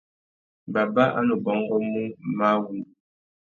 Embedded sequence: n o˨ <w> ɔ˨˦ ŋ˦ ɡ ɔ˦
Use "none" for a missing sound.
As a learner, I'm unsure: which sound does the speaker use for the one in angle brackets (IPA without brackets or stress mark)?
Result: b